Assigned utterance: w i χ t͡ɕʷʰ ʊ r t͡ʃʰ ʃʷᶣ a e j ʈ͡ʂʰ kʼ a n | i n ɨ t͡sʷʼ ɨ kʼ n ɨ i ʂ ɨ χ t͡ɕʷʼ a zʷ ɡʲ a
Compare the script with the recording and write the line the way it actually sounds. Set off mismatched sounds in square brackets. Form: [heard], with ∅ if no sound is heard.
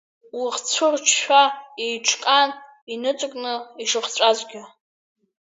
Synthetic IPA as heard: w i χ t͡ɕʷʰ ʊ r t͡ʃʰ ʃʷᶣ a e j ʈ͡ʂʰ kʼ a n | i n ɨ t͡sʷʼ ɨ kʼ n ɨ i ʂ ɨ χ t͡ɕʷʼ a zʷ ɡʲ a